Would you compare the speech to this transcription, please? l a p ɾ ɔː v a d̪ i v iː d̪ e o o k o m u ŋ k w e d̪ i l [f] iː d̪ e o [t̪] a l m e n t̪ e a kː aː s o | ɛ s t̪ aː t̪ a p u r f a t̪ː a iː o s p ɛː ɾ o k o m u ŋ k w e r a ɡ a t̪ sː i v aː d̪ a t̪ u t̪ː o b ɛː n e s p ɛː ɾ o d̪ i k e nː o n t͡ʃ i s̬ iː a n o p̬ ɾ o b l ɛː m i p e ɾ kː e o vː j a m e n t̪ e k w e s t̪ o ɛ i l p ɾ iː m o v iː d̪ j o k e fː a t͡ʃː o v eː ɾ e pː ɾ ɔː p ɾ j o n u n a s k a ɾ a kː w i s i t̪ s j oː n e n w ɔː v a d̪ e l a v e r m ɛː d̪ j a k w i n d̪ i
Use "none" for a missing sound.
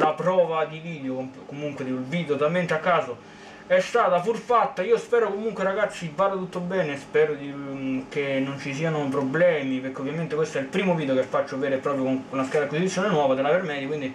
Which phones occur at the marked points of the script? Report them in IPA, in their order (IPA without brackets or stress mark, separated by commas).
v, t̪